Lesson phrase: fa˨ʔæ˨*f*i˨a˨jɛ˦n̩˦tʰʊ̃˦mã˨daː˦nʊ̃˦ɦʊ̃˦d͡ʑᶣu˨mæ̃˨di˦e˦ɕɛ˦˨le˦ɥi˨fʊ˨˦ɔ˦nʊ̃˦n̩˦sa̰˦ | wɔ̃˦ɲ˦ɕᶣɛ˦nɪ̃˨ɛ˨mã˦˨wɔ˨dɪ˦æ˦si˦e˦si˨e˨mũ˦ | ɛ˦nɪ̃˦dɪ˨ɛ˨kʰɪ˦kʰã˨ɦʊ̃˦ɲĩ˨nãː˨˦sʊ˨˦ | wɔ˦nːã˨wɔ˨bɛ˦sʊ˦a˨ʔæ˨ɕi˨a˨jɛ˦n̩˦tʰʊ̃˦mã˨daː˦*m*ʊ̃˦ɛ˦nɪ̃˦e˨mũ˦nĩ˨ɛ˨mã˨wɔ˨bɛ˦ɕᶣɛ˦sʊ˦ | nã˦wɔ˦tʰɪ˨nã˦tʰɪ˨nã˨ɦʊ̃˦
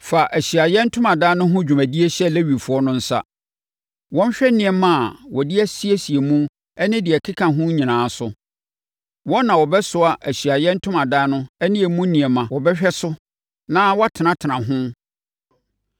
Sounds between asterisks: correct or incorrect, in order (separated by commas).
incorrect, incorrect